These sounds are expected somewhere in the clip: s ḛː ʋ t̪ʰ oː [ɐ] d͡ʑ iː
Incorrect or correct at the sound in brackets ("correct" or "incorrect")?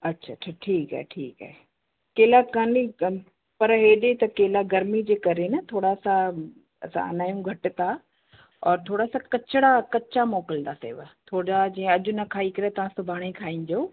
incorrect